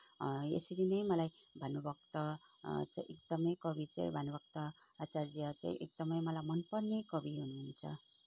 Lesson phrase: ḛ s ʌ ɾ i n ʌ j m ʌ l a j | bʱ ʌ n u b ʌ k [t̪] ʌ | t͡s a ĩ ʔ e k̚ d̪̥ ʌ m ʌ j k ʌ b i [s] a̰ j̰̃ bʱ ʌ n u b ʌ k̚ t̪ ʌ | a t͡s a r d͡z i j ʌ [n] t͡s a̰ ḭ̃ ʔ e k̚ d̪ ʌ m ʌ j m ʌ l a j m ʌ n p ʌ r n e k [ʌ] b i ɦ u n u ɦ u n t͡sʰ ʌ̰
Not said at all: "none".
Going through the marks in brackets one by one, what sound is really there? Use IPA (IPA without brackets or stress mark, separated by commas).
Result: t̪, t͡s, none, ʌ